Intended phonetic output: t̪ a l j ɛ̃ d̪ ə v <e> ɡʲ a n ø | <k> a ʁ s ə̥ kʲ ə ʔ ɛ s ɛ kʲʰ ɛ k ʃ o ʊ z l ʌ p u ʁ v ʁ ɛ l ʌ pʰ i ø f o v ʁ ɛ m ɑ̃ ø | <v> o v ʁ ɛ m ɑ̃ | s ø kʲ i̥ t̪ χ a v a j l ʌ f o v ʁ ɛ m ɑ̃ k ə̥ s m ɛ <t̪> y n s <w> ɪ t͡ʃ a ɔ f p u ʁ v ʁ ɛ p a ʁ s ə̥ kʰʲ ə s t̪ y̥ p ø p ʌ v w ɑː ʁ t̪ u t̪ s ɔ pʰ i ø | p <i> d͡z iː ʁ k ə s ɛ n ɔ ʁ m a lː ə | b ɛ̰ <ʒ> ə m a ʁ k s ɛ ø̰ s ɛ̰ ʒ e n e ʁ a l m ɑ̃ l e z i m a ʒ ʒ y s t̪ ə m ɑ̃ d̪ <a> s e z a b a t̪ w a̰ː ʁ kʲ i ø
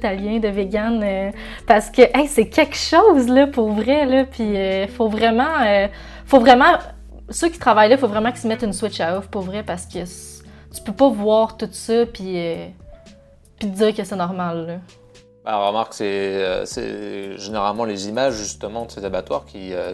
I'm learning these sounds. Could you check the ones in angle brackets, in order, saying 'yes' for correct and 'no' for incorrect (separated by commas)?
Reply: yes, no, no, yes, yes, yes, no, no